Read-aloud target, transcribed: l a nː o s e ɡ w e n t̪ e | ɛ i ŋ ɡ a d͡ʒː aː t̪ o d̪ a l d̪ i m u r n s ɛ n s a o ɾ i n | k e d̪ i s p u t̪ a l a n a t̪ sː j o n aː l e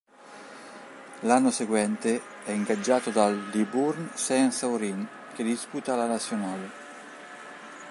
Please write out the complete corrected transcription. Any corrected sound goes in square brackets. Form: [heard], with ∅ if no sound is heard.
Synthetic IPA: l a nː o s e ɡ w [ɛ] n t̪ e | ɛ i ŋ ɡ a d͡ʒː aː t̪ o d̪ a l d̪ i [b] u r n s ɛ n s a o ɾ i n | k e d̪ i s p u t̪ a l a n a t̪ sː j o n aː l e